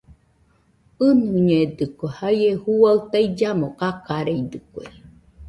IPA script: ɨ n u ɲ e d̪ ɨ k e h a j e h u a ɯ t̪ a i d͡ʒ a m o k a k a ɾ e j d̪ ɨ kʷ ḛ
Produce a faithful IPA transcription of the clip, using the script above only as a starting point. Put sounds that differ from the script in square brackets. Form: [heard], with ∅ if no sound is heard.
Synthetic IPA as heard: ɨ n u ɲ e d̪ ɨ k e h a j e h u a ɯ t̪ a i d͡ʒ a m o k a k a ɾ e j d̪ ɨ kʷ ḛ